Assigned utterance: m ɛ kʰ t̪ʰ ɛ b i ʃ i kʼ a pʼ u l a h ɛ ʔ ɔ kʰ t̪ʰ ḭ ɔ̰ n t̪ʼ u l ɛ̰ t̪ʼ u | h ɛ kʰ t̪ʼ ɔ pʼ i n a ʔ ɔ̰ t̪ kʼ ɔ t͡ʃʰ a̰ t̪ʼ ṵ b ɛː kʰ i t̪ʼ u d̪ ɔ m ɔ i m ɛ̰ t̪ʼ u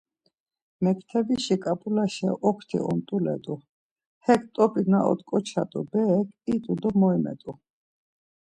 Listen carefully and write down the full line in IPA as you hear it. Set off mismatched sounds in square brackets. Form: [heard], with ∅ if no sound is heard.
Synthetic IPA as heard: m ɛ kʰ t̪ʰ ɛ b i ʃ i kʼ a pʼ u l a [ʃ] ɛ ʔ ɔ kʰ t̪ʰ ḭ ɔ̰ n t̪ʼ u l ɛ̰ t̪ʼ u | h ɛ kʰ t̪ʼ ɔ pʼ i n a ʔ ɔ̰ t̪ kʼ ɔ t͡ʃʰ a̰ t̪ʼ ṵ b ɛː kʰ i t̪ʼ u d̪ ɔ m ɔ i m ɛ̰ t̪ʼ u